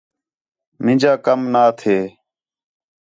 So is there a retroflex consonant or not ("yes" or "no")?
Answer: no